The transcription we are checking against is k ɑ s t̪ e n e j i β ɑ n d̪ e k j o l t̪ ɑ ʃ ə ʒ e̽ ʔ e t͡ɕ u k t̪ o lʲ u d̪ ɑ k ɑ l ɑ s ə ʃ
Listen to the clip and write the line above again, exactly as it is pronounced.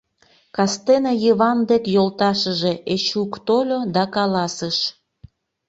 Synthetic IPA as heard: k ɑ s t̪ e n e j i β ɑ n d̪ e k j o l t̪ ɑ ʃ ə ʒ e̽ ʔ e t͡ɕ u k t̪ o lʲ o d̪ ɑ k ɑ l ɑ s ə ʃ